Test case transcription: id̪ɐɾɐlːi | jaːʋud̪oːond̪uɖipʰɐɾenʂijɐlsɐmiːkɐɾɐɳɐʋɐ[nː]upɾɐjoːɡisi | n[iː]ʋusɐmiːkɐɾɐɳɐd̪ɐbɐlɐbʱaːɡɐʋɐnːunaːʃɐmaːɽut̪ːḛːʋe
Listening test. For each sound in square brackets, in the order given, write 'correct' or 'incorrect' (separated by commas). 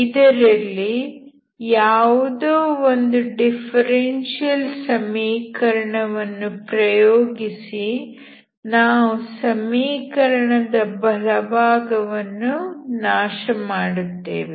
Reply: correct, incorrect